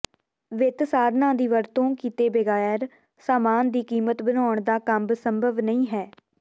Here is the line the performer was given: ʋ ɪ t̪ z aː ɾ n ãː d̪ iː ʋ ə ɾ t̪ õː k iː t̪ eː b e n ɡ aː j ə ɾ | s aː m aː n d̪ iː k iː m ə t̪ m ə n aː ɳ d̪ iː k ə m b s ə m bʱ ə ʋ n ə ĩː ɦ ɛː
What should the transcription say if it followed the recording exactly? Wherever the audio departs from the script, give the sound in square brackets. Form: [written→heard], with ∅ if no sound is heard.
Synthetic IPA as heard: ʋ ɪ t̪ [z→s] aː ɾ n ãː d̪ iː ʋ ə ɾ t̪ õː k iː t̪ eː b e [n→∅] ɡ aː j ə ɾ | s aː m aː n d̪ iː k iː m ə t̪ [m→b] ə n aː ɳ d̪ [iː→aː] k ə m b s ə m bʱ ə ʋ n ə ĩː ɦ ɛː

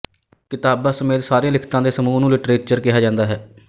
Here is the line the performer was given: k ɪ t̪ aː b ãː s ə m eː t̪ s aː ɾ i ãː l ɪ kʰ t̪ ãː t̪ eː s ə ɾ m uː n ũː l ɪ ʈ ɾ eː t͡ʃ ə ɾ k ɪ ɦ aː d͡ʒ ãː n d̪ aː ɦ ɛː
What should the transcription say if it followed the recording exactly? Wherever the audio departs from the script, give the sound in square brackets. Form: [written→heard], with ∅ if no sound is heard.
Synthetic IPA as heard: k ɪ t̪ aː b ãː s ə m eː t̪ s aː ɾ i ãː l ɪ kʰ t̪ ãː [t̪→d̪] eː s ə [ɾ→∅] m uː n ũː l ɪ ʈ ɾ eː t͡ʃ ə ɾ k ɪ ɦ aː d͡ʒ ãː n d̪ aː ɦ ɛː

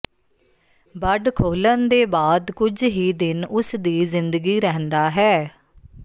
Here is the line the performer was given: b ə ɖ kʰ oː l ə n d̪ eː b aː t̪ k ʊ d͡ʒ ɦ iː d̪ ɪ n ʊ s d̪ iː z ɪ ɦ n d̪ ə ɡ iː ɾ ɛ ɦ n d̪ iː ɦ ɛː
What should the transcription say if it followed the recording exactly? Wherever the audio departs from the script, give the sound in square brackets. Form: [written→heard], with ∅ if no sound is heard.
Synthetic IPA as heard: b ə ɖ kʰ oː l ə n d̪ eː b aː [t̪→d̪] k ʊ d͡ʒ ɦ iː d̪ ɪ n ʊ s d̪ iː z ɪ [ɦ→∅] n d̪ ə ɡ iː ɾ ɛ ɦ n d̪ [iː→aː] ɦ ɛː

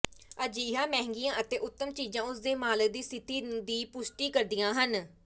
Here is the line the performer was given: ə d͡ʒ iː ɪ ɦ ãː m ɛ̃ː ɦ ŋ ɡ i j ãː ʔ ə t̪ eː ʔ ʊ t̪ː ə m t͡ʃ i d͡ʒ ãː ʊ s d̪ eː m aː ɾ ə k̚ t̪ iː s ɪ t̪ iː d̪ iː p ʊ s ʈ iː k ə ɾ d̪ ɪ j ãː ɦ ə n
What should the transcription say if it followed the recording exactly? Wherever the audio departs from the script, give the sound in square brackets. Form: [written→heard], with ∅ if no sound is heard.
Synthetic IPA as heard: ə d͡ʒ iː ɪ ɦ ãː m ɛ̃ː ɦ ŋ ɡ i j ãː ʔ ə t̪ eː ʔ ʊ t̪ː ə m t͡ʃ [i→iː] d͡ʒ ãː ʊ s d̪ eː m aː [ɾ→l] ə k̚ [t̪→d̪] iː s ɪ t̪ iː d̪ iː p ʊ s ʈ iː k ə ɾ d̪ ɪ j ãː ɦ ə n

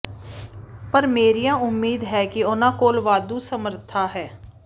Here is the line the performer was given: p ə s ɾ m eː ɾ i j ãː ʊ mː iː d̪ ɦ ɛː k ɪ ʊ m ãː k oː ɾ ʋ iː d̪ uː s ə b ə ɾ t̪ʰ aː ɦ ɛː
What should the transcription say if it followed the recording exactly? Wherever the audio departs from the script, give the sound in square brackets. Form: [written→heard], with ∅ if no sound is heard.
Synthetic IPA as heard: p ə [s→∅] ɾ m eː ɾ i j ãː ʊ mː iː d̪ ɦ ɛː k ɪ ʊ [m→n] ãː k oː [ɾ→l] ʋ [iː→aː] d̪ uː s ə [b→m] ə ɾ t̪ʰ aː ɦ ɛː

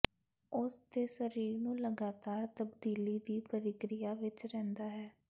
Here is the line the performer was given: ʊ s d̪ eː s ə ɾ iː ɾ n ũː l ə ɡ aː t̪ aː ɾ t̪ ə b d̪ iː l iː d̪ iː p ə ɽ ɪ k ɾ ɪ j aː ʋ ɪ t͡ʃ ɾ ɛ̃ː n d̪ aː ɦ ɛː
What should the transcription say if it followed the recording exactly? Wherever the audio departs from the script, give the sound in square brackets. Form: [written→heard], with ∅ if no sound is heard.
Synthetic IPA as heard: ʊ s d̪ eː s ə ɾ iː ɾ n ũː l ə ɡ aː t̪ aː ɾ t̪ ə b d̪ iː l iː d̪ iː p ə [ɽ→ɾ] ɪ k ɾ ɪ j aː ʋ ɪ t͡ʃ ɾ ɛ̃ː n d̪ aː ɦ ɛː

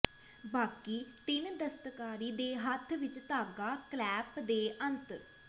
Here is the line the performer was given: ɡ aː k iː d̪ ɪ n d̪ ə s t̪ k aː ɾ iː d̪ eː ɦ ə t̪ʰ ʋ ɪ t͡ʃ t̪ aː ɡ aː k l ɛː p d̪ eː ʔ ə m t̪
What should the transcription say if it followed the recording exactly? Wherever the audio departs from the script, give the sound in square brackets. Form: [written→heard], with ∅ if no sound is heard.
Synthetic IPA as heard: [ɡ→b] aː k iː [d̪→t̪] ɪ n d̪ ə s t̪ k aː ɾ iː d̪ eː ɦ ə t̪ʰ ʋ ɪ t͡ʃ t̪ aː ɡ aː k l ɛː p d̪ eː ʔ ə [m→n] t̪

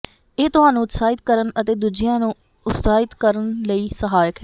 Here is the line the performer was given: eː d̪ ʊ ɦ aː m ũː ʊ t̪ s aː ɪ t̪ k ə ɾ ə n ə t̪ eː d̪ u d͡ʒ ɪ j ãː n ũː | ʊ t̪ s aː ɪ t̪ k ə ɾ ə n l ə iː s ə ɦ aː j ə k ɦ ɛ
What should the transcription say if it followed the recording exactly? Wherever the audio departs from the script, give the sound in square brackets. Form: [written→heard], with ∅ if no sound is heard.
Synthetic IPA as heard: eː [d̪→t̪] ʊ ɦ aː [m→n] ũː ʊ t̪ s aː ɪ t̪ k ə ɾ ə n ə t̪ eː d̪ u d͡ʒ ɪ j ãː n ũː | ʊ t̪ s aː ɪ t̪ k ə ɾ ə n l ə iː s ə ɦ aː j ə k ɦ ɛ

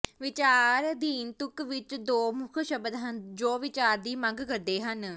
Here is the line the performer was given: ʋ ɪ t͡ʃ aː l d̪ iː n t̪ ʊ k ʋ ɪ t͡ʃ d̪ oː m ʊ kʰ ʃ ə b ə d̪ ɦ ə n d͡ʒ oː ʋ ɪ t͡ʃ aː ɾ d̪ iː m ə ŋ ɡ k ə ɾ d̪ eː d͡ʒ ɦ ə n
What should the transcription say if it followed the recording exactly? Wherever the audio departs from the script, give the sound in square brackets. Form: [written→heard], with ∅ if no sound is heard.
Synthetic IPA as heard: ʋ ɪ t͡ʃ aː [l→ɾ] d̪ iː n t̪ ʊ k ʋ ɪ t͡ʃ d̪ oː m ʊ kʰ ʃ ə b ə d̪ ɦ ə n d͡ʒ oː ʋ ɪ t͡ʃ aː ɾ d̪ iː m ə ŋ ɡ k ə ɾ d̪ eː [d͡ʒ→∅] ɦ ə n

